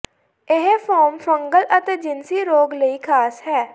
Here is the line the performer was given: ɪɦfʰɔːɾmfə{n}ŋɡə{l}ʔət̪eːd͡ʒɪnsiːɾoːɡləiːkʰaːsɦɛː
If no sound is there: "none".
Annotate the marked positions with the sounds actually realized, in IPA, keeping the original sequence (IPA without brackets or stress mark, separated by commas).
none, l